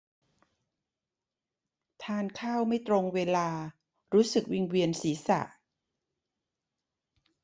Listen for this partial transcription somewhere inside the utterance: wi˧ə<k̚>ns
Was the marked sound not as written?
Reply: yes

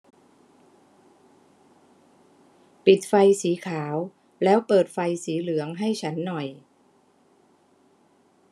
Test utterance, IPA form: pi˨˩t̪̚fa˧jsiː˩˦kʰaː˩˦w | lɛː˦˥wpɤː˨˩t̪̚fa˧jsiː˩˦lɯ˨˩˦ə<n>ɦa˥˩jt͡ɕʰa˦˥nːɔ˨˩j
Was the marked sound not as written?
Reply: yes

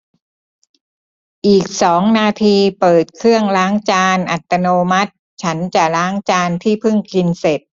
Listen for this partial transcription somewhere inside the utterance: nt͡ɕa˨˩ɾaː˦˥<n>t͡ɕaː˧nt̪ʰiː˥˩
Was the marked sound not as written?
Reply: yes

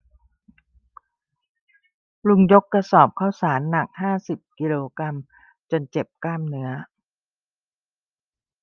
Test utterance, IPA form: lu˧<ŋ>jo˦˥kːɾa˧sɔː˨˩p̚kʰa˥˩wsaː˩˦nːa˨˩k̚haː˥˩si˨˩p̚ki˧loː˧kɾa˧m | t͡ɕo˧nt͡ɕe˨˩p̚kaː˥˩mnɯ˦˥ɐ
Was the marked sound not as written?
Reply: no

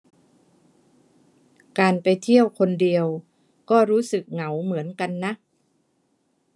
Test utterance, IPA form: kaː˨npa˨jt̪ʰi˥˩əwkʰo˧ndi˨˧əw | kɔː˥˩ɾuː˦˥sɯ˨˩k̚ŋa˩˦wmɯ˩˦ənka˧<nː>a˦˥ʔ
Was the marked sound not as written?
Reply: no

